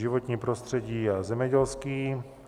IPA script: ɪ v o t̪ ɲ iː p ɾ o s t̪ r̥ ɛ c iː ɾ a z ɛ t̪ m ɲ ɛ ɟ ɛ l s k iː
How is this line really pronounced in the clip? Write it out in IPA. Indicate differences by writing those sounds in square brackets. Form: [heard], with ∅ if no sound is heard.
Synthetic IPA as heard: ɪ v o t̪ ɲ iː p ɾ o s t̪ r̥ ɛ [ɟ] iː [∅] a z ɛ [∅] m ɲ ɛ ɟ ɛ l s k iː